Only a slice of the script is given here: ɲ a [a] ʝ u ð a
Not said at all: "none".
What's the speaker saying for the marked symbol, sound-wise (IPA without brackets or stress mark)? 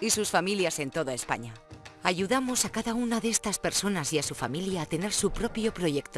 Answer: a